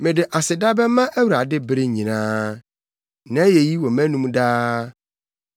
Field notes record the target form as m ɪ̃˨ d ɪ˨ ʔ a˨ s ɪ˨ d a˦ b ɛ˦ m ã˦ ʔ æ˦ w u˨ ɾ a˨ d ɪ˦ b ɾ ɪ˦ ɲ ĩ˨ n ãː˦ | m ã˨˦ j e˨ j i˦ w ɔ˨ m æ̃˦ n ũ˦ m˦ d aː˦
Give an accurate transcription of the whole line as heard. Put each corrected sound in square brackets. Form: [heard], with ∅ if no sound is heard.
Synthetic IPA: m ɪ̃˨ d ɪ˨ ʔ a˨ s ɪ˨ d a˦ b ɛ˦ m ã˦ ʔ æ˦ w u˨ ɾ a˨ d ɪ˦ b ɾ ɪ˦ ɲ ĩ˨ n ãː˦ | [n] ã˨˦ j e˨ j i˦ w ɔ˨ m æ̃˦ n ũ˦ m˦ d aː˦